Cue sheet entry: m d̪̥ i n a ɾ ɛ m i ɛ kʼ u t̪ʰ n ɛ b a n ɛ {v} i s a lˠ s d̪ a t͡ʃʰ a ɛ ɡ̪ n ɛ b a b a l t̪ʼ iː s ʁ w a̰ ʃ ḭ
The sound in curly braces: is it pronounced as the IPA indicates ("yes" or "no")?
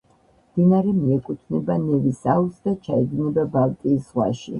yes